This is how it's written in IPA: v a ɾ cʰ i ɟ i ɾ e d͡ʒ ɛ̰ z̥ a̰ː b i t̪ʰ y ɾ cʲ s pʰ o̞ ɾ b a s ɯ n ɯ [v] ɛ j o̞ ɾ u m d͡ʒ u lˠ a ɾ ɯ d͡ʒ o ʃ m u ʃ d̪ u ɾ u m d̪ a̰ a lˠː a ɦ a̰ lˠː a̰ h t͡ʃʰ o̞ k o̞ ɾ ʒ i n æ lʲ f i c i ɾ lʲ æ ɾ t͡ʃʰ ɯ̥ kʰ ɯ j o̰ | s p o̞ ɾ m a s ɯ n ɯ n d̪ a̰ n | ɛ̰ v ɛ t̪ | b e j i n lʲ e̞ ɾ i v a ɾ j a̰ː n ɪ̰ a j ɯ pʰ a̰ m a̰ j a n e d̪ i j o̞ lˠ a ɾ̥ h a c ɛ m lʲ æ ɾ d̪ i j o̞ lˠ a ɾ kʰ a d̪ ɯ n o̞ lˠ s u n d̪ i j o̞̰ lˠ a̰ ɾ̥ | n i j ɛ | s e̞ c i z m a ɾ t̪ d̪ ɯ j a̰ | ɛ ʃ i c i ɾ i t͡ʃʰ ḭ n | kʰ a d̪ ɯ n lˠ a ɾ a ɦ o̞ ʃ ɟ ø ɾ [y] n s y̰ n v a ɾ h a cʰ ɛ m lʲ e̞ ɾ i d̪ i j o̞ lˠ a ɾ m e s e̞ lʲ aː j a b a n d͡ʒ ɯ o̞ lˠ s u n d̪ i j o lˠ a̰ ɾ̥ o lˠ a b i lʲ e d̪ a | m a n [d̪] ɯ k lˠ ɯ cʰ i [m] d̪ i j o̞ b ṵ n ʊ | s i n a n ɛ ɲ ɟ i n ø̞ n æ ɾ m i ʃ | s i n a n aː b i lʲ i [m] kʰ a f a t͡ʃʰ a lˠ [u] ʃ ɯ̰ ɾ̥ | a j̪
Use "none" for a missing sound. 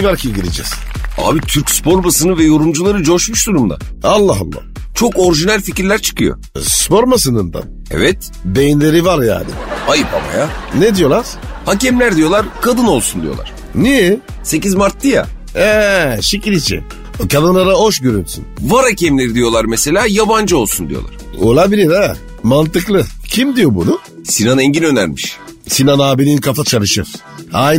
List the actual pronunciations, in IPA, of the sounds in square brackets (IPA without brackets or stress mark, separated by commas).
v, y, t̪, m, n, ɯ